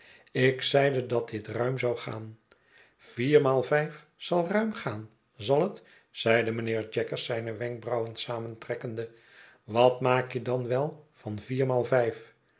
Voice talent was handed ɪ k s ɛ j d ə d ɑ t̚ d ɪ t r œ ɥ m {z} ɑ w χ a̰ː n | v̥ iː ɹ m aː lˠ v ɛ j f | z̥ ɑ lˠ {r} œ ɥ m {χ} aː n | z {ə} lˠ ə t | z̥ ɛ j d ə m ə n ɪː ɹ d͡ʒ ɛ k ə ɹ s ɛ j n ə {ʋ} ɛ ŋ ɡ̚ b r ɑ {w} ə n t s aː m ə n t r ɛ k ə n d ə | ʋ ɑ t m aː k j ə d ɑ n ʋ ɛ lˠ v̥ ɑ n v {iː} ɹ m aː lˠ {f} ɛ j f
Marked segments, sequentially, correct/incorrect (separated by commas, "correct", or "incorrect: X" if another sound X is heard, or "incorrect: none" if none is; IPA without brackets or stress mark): correct, correct, correct, incorrect: ɑ, correct, correct, correct, incorrect: v